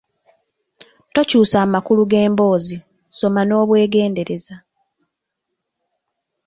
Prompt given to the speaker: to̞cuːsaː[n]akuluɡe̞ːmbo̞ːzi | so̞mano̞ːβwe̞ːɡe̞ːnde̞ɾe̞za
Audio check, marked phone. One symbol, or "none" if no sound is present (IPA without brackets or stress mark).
m